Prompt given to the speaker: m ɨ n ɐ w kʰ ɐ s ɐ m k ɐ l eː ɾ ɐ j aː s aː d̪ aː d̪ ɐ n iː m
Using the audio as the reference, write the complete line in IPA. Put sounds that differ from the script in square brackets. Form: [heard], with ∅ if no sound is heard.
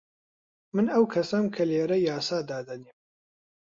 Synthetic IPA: m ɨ n ɐ w kʰ ɐ s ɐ m [kʰ] ɐ l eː ɾ ɐ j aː s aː d̪ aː d̪ ɐ n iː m

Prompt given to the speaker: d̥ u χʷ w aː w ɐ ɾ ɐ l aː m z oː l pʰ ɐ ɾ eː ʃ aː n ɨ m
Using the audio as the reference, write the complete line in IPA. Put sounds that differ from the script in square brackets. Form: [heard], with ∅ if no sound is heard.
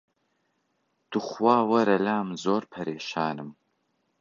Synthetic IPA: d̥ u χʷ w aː w ɐ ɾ ɐ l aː m z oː [r] pʰ ɐ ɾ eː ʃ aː n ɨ m

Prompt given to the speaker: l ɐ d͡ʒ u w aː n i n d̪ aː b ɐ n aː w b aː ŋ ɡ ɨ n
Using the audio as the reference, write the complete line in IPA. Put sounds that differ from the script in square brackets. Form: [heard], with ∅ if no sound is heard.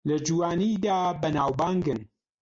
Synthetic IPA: l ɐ d͡ʒ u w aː n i [∅] d̪ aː b ɐ n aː w b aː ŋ ɡ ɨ n

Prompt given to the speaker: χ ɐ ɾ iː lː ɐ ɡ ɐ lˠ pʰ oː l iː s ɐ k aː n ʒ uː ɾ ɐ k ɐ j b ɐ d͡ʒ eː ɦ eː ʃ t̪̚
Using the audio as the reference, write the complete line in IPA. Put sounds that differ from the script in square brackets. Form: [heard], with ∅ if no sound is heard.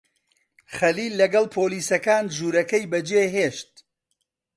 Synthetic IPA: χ ɐ [l] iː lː ɐ ɡ ɐ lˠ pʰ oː l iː s ɐ k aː n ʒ uː ɾ ɐ k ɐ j b ɐ d͡ʒ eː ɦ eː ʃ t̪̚

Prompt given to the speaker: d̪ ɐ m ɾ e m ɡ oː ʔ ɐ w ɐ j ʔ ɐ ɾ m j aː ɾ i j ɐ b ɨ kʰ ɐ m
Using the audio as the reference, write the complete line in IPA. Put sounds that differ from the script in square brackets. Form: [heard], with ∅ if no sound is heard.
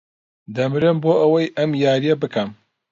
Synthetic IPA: d̪ ɐ m ɾ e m [b] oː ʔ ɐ w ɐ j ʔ ɐ [∅] m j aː ɾ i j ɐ b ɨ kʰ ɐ m

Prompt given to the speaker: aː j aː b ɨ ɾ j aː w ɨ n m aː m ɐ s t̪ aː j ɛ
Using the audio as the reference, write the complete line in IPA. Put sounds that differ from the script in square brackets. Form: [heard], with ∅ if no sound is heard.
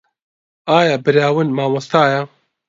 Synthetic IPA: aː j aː b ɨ ɾ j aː w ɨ n m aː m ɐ s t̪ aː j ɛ

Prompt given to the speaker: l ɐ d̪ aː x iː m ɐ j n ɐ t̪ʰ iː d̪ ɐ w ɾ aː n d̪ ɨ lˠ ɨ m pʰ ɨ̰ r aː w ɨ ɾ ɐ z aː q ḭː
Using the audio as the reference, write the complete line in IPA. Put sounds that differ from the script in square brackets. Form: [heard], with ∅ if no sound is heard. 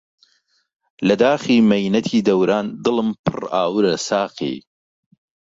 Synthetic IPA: l ɐ d̪ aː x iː m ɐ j n ɐ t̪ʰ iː d̪ ɐ w ɾ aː n d̪ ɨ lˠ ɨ m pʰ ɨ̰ r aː w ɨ ɾ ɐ [s] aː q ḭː

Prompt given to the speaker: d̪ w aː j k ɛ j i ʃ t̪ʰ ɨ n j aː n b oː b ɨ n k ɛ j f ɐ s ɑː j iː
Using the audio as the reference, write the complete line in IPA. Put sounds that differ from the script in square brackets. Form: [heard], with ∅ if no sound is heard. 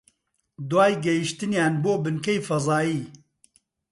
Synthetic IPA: d̪ w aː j [ɡ] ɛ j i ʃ [t̪] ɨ n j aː n b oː b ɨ n k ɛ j f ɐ [z] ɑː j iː

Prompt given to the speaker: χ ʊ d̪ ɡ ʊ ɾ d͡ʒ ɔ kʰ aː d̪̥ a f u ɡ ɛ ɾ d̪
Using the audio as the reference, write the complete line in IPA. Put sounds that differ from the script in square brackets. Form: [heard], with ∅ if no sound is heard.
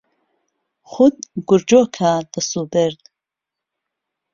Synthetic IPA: χ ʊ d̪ ɡ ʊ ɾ d͡ʒ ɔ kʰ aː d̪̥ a [s] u [b] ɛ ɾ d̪

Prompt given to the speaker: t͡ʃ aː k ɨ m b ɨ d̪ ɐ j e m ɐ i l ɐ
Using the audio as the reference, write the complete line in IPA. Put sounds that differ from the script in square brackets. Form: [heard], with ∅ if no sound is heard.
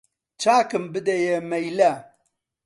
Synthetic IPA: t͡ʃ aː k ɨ m b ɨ d̪ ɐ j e m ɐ [j] l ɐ

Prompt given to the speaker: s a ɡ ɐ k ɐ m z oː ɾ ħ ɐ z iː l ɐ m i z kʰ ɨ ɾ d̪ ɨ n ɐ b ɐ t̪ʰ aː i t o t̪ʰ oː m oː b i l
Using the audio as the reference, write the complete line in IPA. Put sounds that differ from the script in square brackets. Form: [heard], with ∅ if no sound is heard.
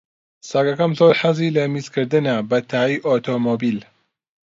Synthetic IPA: s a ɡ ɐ k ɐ m z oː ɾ ħ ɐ z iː l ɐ m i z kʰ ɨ ɾ d̪ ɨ n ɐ b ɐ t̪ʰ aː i [ʔ] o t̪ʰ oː m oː b i l

